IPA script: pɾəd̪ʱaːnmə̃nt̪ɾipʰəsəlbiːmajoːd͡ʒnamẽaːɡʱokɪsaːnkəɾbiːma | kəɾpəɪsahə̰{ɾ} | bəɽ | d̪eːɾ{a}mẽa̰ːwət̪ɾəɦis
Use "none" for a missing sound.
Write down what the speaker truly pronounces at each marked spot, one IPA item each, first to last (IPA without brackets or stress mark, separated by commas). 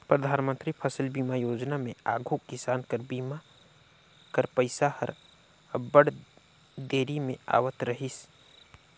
ɾ, i